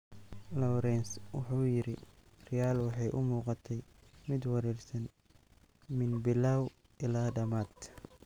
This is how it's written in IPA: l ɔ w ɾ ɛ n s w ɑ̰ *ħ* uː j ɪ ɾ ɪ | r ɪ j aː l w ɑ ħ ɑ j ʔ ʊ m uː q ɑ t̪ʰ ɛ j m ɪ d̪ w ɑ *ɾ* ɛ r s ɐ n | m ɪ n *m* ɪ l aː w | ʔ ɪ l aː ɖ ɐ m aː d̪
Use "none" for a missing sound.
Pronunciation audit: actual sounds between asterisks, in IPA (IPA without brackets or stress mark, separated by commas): ħ, ɾ, b